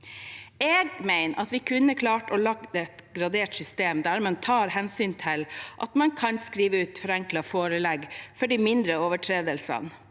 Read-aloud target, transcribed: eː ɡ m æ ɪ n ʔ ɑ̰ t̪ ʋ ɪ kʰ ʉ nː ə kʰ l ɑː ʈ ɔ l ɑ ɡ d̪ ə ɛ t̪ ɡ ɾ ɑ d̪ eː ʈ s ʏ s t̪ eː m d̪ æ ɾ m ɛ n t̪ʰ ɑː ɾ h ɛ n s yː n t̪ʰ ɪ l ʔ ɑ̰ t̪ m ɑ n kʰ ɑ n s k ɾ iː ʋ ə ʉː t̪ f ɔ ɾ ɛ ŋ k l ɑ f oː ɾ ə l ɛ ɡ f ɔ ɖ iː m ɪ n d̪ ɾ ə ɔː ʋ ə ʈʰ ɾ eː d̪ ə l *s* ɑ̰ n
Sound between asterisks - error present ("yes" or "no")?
no